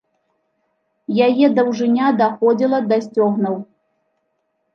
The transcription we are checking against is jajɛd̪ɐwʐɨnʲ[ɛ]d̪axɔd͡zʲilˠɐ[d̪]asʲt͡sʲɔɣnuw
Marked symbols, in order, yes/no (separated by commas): no, yes